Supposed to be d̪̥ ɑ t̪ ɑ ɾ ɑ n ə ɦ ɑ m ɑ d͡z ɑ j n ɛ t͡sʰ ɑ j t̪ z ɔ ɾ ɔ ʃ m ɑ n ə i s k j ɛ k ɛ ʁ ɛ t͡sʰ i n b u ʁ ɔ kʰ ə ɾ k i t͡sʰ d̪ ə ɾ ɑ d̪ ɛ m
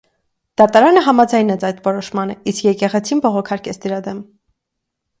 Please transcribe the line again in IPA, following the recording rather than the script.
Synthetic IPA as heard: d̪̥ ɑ t̪ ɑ ɾ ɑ n ə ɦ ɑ m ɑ d͡z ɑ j n ɛ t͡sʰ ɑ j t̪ v ɔ ɾ ɔ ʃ m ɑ n ə i s k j ɛ k ɛ ʁ ɛ t͡sʰ i n b ɔ ʁ ɔ kʰ ɑ ɾ k ɛ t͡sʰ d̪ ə ɾ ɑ d̪ ɛ m